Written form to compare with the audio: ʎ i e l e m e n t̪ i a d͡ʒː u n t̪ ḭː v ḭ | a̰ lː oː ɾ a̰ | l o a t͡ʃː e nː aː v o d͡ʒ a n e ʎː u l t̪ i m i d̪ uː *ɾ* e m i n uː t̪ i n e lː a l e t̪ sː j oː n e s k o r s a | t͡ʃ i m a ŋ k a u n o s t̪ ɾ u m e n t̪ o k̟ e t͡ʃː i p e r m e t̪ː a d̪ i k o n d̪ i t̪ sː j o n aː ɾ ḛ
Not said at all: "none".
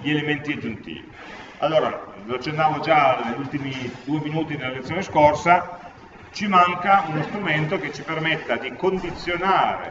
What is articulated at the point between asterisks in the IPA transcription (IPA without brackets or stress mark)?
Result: none